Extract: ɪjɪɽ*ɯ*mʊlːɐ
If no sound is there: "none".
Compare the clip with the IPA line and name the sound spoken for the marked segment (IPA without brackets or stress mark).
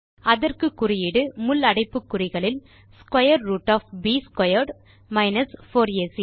ɯ